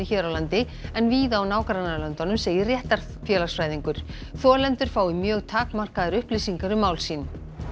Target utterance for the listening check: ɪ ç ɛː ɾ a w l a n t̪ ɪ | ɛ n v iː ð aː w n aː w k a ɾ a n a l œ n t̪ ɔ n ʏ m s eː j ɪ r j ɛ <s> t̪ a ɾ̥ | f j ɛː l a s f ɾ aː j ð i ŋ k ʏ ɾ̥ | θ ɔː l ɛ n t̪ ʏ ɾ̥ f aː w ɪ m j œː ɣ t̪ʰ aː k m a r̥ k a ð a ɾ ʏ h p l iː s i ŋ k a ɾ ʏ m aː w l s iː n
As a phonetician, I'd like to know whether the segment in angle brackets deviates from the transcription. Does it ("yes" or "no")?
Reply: yes